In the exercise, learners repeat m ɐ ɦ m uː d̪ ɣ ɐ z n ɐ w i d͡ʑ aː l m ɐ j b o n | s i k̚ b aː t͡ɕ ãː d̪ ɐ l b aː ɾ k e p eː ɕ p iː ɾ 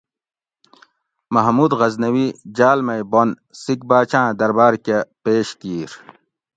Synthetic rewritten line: m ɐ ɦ m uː d̪ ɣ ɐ z n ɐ w i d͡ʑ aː l m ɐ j b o n | s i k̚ b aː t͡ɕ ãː d̪ ɐ ɾ b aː ɾ k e p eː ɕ k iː ɾ